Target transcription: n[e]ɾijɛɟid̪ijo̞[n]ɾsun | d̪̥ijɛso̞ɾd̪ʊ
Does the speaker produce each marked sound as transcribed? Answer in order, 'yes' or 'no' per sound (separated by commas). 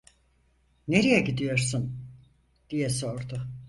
yes, no